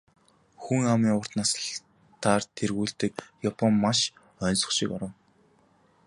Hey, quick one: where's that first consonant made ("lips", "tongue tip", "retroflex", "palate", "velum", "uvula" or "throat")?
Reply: velum